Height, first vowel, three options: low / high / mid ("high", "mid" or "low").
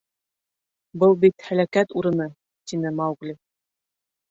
mid